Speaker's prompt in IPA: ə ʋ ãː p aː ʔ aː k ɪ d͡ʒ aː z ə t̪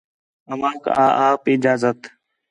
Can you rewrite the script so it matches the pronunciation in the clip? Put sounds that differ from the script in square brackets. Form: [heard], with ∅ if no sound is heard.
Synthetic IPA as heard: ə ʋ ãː [k] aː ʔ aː [p] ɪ d͡ʒ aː z ə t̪